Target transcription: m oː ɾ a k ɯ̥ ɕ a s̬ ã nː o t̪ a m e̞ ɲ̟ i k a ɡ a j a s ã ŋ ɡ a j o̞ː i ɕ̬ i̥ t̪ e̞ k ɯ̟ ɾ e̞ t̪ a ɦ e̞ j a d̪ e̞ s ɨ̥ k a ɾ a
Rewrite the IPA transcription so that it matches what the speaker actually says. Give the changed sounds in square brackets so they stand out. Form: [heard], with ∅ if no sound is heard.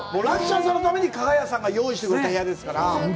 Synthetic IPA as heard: m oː ɾ a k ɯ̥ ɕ a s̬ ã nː o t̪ a m e̞ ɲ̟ i k a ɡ a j a s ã ŋ ɡ a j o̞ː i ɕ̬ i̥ t̪ e̞ k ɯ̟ ɾ e̞ t̪ a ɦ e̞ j a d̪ e̞ s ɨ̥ k a ɾ a